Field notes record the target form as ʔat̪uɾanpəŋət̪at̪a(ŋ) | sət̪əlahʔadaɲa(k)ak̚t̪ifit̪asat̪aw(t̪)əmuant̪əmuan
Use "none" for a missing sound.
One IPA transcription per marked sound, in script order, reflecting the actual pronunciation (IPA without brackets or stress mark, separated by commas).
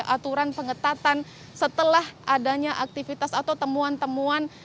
n, ʔ, t̪